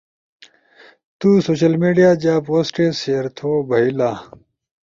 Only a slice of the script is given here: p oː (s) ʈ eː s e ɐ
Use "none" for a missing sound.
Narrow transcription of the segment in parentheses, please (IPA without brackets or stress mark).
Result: s